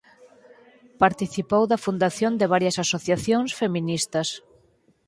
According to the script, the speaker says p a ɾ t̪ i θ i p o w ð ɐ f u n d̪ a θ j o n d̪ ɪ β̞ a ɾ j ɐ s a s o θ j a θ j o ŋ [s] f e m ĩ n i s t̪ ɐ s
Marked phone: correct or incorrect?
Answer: correct